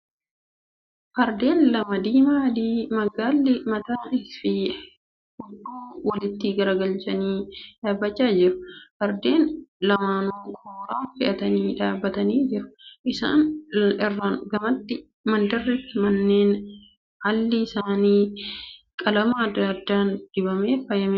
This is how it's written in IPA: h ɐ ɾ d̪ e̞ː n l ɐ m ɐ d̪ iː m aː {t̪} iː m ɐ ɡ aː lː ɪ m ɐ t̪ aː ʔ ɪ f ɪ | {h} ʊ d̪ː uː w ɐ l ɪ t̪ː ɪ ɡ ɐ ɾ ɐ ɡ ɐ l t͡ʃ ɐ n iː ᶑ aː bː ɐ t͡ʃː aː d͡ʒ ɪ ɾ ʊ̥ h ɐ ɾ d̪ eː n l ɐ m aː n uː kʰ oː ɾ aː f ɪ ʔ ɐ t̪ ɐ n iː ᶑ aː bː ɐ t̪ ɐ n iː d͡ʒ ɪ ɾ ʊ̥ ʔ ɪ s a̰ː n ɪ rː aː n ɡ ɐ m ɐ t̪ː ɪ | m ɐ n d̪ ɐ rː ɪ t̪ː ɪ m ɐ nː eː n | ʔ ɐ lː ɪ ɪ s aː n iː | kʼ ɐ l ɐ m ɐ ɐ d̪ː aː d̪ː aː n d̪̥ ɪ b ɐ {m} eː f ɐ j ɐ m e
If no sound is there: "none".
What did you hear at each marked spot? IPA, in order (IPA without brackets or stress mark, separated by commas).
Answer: d̪, h, m